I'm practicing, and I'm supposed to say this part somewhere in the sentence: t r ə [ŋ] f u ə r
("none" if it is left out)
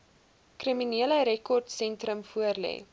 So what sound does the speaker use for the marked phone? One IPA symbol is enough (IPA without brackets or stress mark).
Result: m